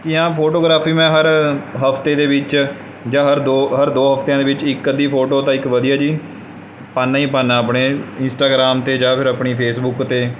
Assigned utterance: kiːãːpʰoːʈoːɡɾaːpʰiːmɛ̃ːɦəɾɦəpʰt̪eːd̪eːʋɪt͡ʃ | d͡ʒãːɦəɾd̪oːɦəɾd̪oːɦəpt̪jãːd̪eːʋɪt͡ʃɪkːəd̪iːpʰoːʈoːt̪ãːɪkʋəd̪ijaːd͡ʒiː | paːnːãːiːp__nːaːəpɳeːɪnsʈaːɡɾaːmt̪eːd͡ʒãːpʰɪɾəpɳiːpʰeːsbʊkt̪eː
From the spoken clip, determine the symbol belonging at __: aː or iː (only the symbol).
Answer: aː